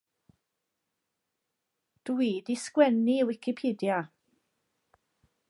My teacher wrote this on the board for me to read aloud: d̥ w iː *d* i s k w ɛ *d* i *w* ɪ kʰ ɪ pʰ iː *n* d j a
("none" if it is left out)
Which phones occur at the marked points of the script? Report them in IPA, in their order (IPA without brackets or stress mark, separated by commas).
d, n, w, none